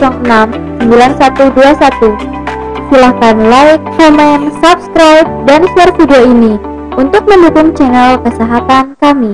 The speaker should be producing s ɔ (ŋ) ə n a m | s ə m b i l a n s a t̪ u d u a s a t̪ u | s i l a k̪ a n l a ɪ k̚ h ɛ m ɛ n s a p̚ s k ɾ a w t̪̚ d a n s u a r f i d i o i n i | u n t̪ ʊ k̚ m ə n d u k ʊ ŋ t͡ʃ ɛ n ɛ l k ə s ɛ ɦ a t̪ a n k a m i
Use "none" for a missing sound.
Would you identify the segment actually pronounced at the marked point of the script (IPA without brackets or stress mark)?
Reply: ŋ